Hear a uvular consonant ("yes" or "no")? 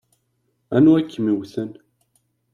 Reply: no